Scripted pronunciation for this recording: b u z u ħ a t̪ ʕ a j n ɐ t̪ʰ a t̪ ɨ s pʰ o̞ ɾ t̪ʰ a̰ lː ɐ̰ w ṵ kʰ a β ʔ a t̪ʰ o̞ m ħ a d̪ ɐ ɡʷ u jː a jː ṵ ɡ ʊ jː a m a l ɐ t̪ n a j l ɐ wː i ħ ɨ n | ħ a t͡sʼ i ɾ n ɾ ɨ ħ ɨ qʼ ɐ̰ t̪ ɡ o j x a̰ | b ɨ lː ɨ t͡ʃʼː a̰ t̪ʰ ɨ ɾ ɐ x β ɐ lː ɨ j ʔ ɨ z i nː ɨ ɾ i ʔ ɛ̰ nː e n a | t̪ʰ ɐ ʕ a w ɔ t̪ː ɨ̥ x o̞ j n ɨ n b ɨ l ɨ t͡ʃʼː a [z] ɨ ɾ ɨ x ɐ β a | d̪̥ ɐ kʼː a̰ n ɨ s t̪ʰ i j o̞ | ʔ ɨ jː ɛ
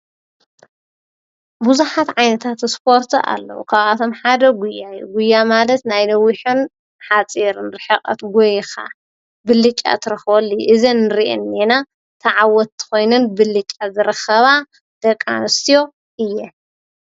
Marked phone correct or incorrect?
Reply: correct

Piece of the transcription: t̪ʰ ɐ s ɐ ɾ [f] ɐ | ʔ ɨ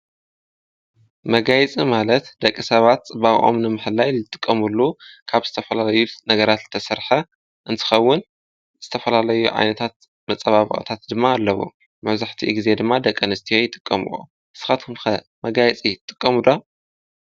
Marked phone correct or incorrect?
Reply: incorrect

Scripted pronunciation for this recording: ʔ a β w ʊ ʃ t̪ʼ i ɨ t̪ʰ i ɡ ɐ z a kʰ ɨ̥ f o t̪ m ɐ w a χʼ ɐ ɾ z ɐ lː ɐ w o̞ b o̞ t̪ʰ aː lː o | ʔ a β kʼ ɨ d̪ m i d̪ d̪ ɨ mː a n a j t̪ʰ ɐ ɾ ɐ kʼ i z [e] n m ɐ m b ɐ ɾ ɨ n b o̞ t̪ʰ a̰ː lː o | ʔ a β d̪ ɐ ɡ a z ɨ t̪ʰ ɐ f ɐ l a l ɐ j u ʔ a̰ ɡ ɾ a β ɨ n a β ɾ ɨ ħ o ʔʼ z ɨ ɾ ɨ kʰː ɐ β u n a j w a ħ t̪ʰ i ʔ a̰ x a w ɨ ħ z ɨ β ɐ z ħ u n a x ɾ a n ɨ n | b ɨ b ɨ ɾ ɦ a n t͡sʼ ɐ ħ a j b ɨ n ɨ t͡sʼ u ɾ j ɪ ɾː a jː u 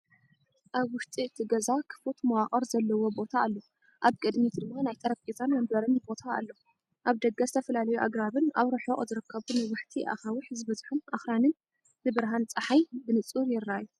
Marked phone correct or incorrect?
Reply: incorrect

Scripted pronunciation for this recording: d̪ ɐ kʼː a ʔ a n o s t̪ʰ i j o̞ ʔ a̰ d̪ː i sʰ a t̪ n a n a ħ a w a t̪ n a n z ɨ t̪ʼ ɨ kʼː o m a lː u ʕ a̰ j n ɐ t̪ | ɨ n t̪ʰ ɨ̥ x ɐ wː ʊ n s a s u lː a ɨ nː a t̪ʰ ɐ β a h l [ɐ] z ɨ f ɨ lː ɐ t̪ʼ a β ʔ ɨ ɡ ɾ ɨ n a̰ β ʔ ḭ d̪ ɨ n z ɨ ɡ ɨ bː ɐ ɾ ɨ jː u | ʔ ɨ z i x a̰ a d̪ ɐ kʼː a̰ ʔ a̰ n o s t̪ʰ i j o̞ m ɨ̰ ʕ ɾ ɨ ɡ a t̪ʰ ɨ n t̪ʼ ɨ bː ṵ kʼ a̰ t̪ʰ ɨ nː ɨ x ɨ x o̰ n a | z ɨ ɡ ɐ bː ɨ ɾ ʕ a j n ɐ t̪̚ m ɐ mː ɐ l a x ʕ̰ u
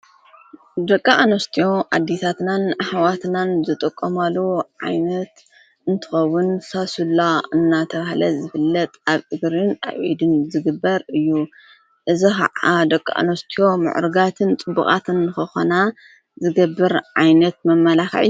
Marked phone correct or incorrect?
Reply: correct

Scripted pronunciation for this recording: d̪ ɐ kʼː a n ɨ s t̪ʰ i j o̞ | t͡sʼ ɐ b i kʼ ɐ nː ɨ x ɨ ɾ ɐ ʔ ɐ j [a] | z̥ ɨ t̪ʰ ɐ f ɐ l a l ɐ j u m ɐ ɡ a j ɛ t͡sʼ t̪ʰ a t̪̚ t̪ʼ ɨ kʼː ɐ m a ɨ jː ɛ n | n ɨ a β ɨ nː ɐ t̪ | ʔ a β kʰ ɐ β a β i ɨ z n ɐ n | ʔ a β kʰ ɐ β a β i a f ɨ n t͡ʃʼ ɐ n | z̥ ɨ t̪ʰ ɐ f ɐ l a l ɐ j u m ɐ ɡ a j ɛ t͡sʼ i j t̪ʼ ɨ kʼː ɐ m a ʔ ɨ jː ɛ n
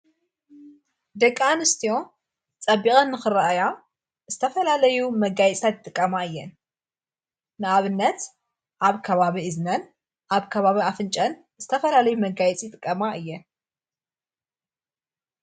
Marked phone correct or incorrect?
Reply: correct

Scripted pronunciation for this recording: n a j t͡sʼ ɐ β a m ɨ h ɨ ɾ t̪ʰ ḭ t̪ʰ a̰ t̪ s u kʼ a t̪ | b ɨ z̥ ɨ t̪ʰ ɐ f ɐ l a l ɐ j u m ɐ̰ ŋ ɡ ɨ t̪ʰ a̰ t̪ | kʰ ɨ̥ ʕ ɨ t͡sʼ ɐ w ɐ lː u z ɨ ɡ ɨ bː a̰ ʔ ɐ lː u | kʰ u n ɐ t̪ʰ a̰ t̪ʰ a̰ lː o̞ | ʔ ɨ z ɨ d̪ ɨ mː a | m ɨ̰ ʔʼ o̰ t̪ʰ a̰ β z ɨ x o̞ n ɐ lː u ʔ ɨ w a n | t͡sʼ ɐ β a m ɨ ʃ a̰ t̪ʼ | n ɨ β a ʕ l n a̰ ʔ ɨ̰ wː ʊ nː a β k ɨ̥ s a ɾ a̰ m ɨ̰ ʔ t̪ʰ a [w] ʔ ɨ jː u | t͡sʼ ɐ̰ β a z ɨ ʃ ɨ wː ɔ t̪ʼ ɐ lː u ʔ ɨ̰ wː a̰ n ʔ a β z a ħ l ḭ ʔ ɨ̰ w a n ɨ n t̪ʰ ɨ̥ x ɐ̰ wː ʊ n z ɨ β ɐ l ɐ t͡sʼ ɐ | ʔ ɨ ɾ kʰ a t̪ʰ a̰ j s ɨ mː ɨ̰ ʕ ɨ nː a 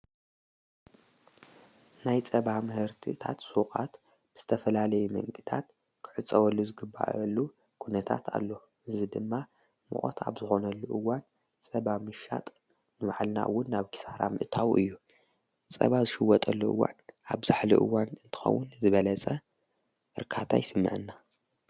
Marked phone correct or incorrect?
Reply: correct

